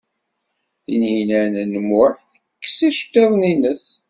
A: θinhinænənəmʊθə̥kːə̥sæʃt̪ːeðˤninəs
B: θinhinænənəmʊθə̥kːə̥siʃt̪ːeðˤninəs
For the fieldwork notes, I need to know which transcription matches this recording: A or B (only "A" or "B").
B